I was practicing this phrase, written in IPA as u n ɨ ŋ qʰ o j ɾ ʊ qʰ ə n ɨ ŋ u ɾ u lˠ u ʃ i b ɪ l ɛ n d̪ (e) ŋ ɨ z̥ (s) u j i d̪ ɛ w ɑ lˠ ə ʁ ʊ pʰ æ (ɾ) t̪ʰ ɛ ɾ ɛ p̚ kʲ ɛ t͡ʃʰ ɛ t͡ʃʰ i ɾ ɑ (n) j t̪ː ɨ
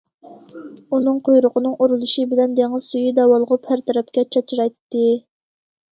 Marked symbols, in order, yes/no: yes, yes, yes, no

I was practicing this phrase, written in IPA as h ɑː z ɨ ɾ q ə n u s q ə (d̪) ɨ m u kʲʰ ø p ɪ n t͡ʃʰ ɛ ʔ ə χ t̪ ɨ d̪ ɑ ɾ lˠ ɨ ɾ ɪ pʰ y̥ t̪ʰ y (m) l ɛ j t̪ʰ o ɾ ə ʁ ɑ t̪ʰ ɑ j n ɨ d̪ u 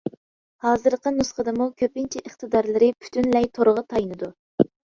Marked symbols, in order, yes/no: yes, no

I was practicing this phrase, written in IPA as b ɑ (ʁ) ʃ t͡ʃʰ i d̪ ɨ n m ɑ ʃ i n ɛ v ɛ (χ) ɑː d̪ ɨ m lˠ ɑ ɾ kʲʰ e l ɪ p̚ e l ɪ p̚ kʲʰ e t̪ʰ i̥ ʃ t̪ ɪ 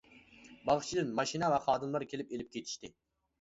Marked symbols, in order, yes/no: yes, yes

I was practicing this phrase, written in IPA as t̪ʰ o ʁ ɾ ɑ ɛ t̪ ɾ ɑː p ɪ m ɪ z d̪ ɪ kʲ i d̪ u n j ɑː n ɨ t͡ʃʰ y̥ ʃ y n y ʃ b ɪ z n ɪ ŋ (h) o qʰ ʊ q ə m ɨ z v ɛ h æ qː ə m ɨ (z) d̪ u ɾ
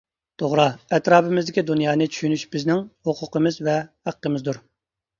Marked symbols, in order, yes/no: yes, yes

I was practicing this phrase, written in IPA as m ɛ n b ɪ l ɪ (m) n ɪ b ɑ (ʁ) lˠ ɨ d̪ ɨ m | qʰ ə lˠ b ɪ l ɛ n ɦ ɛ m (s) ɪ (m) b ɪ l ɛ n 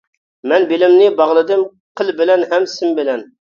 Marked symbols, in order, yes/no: yes, yes, yes, yes

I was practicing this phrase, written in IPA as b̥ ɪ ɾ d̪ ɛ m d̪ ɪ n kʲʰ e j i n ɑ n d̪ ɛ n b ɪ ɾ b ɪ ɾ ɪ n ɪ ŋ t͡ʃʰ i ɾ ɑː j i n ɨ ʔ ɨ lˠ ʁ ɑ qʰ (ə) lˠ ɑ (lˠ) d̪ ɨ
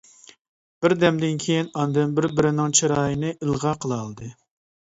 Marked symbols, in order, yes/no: yes, yes

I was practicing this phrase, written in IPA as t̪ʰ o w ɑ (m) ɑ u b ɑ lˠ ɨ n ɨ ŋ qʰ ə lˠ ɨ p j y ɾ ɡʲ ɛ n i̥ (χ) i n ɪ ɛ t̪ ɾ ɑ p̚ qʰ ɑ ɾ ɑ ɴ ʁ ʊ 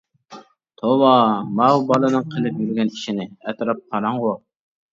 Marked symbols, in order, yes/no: yes, no

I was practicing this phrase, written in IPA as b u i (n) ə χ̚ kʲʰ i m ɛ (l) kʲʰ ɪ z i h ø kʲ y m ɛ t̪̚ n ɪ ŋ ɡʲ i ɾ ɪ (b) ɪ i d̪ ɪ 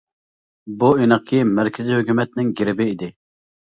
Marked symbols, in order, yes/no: yes, no, yes

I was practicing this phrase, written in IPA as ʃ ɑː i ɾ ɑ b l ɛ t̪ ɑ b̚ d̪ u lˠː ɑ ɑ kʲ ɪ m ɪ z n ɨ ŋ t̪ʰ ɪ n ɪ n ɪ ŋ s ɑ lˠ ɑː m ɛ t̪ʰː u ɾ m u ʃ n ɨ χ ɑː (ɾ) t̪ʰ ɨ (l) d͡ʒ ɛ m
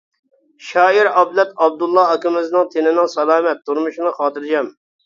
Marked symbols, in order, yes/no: no, no

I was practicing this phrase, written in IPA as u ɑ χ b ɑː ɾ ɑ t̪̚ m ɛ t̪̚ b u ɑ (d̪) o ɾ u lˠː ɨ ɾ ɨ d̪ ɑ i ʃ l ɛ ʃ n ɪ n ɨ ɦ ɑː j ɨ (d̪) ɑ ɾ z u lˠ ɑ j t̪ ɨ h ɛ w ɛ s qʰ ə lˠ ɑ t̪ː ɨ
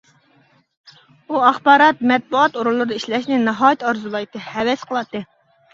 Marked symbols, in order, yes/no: no, no

